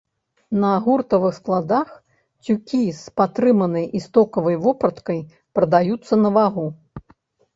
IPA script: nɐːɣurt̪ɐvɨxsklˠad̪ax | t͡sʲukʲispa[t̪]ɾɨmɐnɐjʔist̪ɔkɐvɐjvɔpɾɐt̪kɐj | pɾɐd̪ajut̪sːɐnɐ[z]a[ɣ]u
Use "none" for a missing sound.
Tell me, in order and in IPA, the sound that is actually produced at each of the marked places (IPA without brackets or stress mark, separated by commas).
t̪, v, ɣ